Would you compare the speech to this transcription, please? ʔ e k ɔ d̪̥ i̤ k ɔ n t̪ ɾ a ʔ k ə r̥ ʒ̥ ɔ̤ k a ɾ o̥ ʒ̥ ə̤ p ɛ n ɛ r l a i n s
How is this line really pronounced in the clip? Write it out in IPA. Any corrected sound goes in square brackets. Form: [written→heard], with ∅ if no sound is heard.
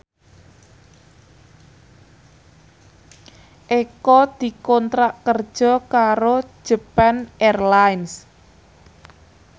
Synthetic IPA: ʔ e k ɔ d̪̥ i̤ k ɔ n t̪ ɾ a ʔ k ə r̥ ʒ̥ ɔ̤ k a ɾ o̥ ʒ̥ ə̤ p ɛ n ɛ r l a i n s